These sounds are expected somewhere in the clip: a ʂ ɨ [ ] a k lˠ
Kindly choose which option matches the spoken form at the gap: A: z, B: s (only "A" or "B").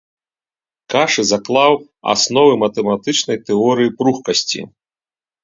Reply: A